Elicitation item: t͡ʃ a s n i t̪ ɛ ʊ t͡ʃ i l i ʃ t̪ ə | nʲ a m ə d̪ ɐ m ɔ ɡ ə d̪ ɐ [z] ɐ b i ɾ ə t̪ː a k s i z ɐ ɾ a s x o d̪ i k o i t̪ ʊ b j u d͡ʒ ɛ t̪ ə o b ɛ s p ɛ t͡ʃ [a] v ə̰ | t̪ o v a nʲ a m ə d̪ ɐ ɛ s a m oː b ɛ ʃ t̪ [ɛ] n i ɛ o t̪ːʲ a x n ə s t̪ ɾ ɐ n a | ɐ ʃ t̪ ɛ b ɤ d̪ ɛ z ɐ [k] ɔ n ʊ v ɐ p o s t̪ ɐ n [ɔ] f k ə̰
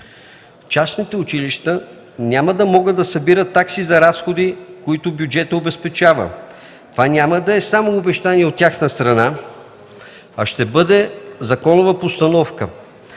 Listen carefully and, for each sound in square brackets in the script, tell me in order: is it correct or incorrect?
incorrect: s, correct, incorrect: a, correct, correct

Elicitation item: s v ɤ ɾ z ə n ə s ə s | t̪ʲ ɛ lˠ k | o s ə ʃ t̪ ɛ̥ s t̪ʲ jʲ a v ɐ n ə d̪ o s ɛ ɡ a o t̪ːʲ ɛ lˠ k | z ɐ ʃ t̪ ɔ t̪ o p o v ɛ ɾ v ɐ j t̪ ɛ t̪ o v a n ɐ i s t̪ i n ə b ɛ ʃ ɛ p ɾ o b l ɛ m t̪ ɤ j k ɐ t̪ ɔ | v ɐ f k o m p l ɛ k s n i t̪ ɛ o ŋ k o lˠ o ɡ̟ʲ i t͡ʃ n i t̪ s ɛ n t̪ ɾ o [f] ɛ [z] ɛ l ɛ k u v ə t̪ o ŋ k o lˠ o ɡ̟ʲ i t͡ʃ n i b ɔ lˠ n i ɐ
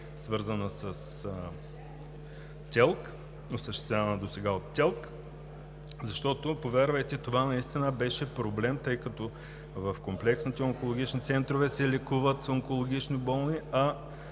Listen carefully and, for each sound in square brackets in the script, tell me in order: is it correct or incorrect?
incorrect: v, incorrect: s

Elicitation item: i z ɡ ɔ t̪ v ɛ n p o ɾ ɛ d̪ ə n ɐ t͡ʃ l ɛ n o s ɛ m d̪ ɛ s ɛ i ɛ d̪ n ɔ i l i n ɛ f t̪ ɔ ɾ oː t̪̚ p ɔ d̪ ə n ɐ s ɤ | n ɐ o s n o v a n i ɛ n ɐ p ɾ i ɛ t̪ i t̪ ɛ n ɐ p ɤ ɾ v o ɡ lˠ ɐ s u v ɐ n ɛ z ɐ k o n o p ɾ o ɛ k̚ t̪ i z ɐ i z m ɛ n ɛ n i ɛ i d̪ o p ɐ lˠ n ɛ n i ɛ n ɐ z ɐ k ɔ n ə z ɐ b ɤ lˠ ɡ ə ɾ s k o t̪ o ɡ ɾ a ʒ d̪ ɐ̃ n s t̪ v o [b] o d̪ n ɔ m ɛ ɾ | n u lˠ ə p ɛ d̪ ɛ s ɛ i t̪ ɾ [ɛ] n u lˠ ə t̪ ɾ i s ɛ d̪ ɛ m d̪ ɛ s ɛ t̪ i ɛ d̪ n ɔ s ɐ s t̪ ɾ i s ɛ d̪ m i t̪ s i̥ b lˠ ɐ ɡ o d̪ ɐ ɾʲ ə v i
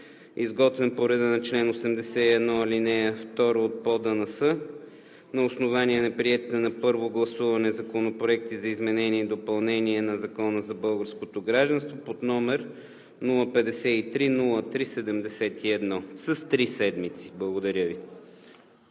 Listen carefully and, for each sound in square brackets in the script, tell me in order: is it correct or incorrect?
incorrect: p, incorrect: i

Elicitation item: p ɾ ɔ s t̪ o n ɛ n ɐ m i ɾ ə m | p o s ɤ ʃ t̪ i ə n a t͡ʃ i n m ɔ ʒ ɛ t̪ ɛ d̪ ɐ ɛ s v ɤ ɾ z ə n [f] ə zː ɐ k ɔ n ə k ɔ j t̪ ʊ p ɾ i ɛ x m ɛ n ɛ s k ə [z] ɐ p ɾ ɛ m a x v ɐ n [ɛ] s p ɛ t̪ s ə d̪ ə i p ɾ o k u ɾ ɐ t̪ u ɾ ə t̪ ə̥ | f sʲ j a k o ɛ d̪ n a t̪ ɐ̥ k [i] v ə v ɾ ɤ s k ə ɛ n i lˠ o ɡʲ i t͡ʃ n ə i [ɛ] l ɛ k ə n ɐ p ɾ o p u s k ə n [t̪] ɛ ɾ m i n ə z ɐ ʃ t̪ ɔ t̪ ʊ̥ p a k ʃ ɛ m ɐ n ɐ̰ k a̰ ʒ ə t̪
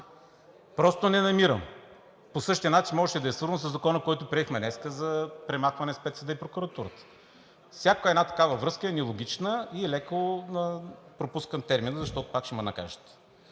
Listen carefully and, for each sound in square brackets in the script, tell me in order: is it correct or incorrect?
incorrect: s, correct, correct, incorrect: a, correct, correct

